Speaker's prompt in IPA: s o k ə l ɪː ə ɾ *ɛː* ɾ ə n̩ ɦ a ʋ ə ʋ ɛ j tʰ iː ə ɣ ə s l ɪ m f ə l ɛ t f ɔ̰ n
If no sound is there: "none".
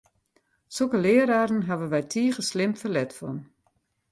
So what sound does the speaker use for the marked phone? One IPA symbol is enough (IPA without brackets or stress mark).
aː